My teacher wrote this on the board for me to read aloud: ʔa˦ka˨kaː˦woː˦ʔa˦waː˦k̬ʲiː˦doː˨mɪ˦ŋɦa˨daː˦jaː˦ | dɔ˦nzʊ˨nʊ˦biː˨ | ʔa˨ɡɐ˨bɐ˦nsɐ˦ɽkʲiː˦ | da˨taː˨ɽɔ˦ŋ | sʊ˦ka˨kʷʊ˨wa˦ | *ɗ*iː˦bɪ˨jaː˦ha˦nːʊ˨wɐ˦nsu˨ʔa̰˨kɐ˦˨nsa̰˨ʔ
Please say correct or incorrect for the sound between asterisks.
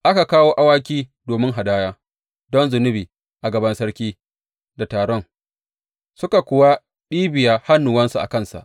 correct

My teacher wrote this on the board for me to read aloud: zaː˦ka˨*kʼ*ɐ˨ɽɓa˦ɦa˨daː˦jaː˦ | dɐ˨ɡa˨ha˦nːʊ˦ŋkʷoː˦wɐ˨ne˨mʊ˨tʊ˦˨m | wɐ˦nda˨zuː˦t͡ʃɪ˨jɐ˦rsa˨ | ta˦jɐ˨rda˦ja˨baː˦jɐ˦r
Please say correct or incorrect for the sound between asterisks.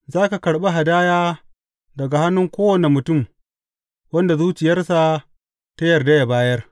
incorrect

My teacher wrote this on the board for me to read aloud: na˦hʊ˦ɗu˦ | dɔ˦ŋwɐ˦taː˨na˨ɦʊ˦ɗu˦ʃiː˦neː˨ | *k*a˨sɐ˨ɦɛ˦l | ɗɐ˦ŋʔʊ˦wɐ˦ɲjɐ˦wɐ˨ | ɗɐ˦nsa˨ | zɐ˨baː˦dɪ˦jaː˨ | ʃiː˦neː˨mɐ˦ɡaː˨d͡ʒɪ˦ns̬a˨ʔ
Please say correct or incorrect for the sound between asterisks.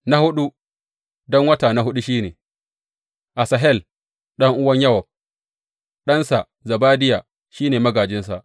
incorrect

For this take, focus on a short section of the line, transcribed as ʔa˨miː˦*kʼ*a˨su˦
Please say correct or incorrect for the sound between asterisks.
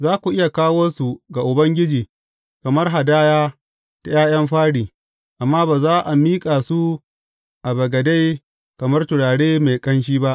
correct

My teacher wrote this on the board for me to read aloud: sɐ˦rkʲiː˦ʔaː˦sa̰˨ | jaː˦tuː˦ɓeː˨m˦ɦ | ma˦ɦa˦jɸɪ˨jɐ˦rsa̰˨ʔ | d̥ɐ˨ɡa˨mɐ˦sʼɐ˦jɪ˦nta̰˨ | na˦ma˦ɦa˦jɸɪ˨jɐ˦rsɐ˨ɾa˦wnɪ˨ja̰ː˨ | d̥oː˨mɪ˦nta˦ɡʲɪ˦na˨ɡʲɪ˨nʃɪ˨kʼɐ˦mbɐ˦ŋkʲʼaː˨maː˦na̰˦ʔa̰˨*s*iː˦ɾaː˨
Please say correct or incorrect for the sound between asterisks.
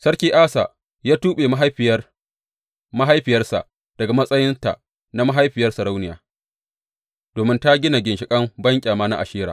incorrect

